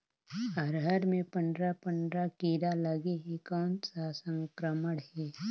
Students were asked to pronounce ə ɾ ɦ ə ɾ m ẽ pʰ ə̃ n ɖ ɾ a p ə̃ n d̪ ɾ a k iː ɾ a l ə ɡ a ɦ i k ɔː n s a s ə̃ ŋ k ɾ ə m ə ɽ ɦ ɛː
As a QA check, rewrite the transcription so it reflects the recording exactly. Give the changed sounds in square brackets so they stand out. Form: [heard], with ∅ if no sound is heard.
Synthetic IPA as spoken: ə ɾ ɦ ə ɾ m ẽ [p] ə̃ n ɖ ɾ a p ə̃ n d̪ ɾ a k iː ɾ a l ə ɡ [e] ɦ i k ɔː n s a s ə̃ ŋ k ɾ ə m ə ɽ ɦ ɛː